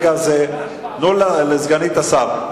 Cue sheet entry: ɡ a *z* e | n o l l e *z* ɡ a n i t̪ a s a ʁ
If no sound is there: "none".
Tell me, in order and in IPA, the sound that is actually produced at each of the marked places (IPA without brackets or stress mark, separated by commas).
z, z